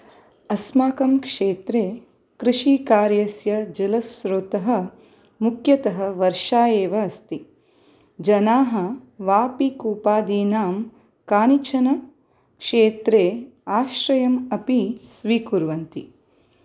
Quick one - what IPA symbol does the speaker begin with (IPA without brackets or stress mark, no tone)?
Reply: ɐ